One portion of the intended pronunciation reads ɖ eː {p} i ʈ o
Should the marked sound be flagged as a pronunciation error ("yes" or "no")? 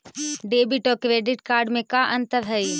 yes